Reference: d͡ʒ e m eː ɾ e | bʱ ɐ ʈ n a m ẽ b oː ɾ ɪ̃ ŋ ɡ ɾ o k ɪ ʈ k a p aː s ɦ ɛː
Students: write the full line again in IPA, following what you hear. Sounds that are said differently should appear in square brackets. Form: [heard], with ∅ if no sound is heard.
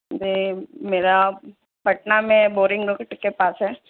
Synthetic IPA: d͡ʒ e m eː ɾ [a] | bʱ ɐ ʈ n a m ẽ b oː ɾ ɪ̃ ŋ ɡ ɾ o k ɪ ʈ k [e] p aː s ɦ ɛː